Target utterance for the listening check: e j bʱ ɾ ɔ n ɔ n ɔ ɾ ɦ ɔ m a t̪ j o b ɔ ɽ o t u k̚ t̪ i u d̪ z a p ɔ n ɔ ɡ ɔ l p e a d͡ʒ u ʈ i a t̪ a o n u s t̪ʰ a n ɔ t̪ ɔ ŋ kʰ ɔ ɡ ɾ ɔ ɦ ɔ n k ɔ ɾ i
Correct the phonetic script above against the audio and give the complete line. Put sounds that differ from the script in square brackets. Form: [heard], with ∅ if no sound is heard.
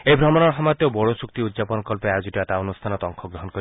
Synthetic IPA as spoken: e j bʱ ɾ ɔ [m] ɔ n ɔ ɾ ɦ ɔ m a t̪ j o b ɔ ɽ o [s] u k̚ t̪ i u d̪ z a p ɔ n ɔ [k] ɔ l p e a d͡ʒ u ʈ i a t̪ a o n u s t̪ʰ a n ɔ t̪ ɔ ŋ kʰ ɔ ɡ ɾ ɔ ɦ ɔ n k ɔ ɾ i